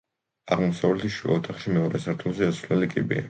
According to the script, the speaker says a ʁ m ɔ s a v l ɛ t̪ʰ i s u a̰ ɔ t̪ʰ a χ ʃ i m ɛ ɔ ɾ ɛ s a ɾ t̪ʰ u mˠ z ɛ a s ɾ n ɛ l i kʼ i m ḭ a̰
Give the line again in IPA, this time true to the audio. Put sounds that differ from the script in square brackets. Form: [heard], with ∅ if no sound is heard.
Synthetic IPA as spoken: a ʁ m ɔ s a v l ɛ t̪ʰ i [ʃ] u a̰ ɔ t̪ʰ a χ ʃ i m ɛ ɔ ɾ ɛ s a ɾ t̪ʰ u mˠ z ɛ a s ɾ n ɛ l i kʼ i [b] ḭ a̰

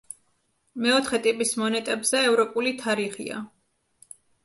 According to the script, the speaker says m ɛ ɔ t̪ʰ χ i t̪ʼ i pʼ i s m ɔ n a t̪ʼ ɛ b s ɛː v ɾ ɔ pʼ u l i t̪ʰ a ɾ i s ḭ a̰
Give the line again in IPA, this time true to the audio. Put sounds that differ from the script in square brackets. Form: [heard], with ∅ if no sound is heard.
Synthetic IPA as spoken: m ɛ ɔ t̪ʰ χ [ɛ] t̪ʼ i pʼ i s m ɔ n [ɛ] t̪ʼ ɛ b [z] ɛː v ɾ ɔ pʼ u l i t̪ʰ a ɾ i [χ] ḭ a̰

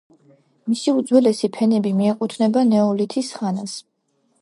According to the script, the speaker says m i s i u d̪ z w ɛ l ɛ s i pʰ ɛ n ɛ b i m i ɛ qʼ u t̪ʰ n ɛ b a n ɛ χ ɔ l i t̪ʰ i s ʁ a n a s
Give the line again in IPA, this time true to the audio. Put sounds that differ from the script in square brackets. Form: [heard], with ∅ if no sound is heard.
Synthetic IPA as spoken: m i s i u d̪ z w ɛ l ɛ s i pʰ ɛ n ɛ b i m i ɛ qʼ u t̪ʰ n ɛ b a n ɛ [∅] ɔ l i t̪ʰ i s [χ] a n a s

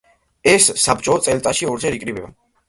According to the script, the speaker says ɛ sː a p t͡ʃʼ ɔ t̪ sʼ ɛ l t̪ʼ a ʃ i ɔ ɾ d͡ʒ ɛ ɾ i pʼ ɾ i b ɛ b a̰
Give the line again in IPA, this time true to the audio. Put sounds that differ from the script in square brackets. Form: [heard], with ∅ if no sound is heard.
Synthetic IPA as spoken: ɛ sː a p t͡ʃʼ ɔ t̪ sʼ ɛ l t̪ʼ a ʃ i ɔ ɾ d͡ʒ ɛ ɾ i [kʼ] ɾ i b ɛ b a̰

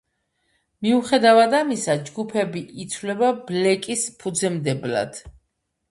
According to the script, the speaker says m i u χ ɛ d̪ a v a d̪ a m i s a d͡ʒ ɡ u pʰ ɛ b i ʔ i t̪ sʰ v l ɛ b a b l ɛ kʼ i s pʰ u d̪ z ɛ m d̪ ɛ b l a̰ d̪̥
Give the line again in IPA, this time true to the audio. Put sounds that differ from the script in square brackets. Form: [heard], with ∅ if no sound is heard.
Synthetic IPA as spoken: m i u χ ɛ d̪ a v a d̪ a m i s a d͡ʒ ɡ u pʰ ɛ b i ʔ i t̪ sʰ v l ɛ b a b l ɛ kʼ i s pʰ u d̪ z ɛ m d̪ ɛ b l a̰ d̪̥

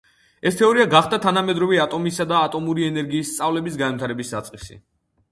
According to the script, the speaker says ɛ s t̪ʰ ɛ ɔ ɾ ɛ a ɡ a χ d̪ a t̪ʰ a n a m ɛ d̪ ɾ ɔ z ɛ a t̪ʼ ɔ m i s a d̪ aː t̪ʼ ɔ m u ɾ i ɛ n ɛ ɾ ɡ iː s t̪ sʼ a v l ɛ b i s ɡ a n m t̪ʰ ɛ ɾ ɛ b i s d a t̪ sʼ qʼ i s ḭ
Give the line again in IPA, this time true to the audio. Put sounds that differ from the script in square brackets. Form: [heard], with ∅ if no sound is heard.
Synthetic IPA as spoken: ɛ s t̪ʰ ɛ ɔ ɾ [i] a ɡ a χ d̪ a t̪ʰ a n a m ɛ d̪ ɾ ɔ [v] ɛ a t̪ʼ ɔ m i s a d̪ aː t̪ʼ ɔ m u ɾ i ɛ n ɛ ɾ ɡ iː s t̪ sʼ a v l ɛ b i s ɡ a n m t̪ʰ [a] ɾ ɛ b i s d a t̪ sʼ qʼ i s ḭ

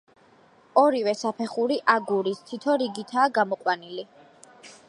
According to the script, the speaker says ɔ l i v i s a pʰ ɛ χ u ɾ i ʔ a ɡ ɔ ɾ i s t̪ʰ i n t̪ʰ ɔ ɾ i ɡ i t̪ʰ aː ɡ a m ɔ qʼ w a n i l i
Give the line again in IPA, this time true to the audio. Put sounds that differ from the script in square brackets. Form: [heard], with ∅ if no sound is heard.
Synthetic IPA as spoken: ɔ [ɾ] i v [ɛ] s a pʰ ɛ χ u ɾ i ʔ a ɡ [u] ɾ i s t̪ʰ i [∅] t̪ʰ ɔ ɾ i ɡ i t̪ʰ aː ɡ a m ɔ qʼ w a n i l i

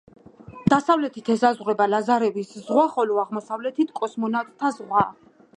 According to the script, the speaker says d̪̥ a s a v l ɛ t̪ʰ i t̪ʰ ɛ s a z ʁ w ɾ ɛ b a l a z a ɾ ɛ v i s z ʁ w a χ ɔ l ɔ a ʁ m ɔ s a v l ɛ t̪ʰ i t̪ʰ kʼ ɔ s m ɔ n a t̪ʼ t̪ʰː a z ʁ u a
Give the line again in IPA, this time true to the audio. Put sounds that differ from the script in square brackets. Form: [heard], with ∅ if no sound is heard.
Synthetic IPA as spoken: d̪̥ a s a v l ɛ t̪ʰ i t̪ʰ ɛ s a z ʁ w ɾ ɛ b a l a z a ɾ ɛ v i s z ʁ w a χ ɔ l ɔ a ʁ m ɔ s a v l ɛ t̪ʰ i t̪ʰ kʼ ɔ s m ɔ n a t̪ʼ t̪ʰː a z ʁ [w] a

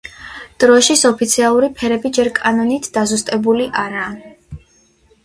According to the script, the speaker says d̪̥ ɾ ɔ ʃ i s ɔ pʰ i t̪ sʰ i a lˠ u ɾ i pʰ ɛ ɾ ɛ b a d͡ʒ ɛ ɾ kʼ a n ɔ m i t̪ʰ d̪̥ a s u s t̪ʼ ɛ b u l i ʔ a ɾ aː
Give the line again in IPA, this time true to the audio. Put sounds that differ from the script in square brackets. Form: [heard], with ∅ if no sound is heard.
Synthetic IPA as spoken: d̪̥ ɾ ɔ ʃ i s ɔ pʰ i t̪ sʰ i a lˠ u ɾ i pʰ ɛ ɾ ɛ b [i] d͡ʒ ɛ ɾ kʼ a n ɔ [n] i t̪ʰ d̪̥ a [z] u s t̪ʼ ɛ b u l i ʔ a ɾ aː

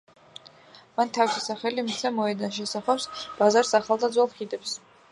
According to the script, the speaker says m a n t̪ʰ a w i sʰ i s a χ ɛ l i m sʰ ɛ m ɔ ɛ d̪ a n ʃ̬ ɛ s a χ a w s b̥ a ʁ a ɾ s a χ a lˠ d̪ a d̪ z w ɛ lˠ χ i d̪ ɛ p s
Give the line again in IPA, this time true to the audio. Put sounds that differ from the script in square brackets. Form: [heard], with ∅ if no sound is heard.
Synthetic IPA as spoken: m a n t̪ʰ a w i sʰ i s a χ ɛ l i m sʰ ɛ m ɔ ɛ d̪ a n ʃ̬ ɛ s a χ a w s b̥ a [z] a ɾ s a χ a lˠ d̪ a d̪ z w ɛ lˠ χ i d̪ ɛ p s

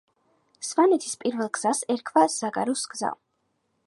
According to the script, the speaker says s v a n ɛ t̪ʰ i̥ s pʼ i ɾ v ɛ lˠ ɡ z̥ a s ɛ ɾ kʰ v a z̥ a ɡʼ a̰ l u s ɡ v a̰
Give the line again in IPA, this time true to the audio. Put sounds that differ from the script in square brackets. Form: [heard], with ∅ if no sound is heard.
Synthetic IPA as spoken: s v a n ɛ t̪ʰ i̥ s pʼ i ɾ v ɛ lˠ ɡ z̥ a s ɛ ɾ kʰ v a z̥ a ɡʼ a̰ [ɾ] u s ɡ [z] a̰

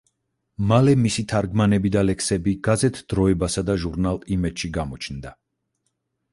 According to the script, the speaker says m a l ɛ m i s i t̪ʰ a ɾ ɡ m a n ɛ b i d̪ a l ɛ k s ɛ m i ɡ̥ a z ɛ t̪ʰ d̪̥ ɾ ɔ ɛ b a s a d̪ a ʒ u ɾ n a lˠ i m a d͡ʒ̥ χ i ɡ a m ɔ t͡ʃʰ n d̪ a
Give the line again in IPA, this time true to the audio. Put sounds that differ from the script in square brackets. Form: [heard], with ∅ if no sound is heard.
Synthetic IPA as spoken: m a l ɛ m i s i t̪ʰ a ɾ ɡ m a n ɛ b i d̪ a l ɛ k s ɛ [b] i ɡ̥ a z ɛ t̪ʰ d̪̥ ɾ ɔ ɛ b a s a d̪ a ʒ u ɾ n a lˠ i m [ɛ] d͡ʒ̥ [ʃ] i ɡ a m ɔ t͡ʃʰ n d̪ a

